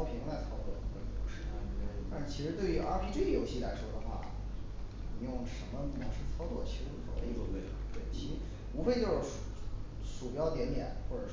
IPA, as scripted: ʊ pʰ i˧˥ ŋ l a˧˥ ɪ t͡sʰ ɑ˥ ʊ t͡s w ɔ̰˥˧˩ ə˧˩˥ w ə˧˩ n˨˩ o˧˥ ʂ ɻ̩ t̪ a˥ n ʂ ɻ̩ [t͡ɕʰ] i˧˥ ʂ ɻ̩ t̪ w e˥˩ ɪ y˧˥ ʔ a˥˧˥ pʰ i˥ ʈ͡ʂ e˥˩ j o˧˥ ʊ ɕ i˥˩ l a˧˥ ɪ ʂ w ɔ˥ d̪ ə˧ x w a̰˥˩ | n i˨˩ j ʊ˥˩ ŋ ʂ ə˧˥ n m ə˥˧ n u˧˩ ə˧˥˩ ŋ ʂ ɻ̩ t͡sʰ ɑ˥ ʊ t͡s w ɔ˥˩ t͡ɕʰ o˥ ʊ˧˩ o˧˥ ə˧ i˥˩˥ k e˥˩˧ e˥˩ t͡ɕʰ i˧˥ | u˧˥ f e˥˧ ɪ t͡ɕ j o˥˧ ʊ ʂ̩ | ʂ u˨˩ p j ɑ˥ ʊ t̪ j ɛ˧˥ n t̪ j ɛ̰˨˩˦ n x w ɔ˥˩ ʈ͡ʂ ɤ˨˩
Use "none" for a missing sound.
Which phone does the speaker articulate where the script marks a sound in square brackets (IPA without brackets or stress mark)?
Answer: t͡ɕʰ